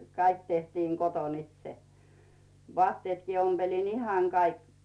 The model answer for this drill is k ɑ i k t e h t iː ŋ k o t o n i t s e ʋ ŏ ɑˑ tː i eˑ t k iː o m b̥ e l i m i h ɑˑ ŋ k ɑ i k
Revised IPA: k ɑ i k t e h t iː ŋ k o t o n i t s e ʋ ŏ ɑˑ tː i eˑ t k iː o m b̥ e l i n i h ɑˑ ŋ k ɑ i k

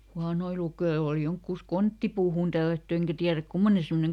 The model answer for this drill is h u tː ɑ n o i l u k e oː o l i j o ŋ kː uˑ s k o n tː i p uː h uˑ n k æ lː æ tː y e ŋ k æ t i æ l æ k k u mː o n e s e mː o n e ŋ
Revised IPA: h u ɑ n o i l u k e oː o l i j o ŋ kː uˑ s k o n tː i p uː h uˑ n t æ lː æ tː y e ŋ k æ t i æ r æ k k u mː o n e s e mː o n e ŋ

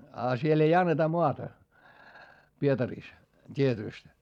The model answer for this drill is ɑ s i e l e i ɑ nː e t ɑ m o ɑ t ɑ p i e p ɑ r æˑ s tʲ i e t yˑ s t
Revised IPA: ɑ s i e l e i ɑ nː e t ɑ m o ɑ t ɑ p i e t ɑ r iˑ s tʲ i e t yˑ s t

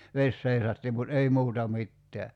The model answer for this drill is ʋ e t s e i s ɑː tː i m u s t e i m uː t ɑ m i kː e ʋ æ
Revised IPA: ʋ e s s e i s ɑ tː i m u t e i m uː t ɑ m i tː e æ

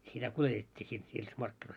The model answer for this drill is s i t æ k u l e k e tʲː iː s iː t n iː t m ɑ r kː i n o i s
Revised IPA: s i t æ k u l e t e tʲː iː s i t n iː s m ɑ r kː i n o i s

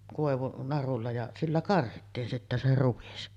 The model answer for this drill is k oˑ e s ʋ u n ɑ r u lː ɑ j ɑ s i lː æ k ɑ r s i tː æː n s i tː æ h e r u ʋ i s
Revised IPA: k oˑ e ʋ u n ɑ r u lː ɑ j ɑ s i lː æ k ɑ r h i tː iː n s i tː æ s e r u ʋ i s

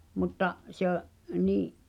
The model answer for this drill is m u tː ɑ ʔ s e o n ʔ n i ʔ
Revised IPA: m u tː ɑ ʔ s e o ʔ n iː ʔ

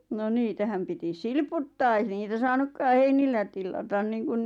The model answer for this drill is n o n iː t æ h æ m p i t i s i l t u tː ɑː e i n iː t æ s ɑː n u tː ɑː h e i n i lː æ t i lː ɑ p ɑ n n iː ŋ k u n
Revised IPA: n o n iː t æ h æ m p i t i s i l p u tː ɑː e i n iː t æ s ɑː n u kː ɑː h e i n i lː æ t i lː ɑ t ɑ n n iː ŋ k u n

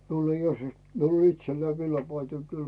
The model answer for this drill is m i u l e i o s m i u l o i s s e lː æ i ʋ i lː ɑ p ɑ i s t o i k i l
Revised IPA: m i u l e i o s m i u l o i t s e lː æ i ʋ i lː ɑ p ɑ i t o i k y l

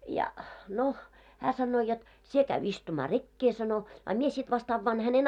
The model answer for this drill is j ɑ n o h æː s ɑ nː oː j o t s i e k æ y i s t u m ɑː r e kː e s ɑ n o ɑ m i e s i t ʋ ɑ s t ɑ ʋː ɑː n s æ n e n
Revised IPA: j ɑ n o h æː s ɑ nː oː j o t s i e k æ y i s t u m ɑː r e kː e s ɑ n o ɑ m i e s i t ʋ ɑ s t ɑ ʋː ɑː n h æ n e n

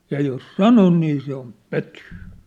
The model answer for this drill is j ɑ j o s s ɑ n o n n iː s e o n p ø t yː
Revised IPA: j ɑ j o s s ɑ n o n n iː s e o m p ø t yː

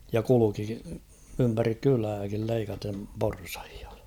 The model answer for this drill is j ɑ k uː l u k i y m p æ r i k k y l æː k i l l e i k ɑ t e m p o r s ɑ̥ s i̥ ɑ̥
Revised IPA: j ɑ k u l u k i y m p æ r i k k y l æː k i l l e i k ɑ t e m p o r s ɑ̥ h i̥ ɑ̥

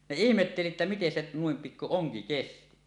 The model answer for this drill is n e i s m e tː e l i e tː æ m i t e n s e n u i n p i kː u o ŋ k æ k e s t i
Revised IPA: n e i h m e tː e l i e tː æ m i t e n s e n u i m p i kː u o ŋ k i k e s t i

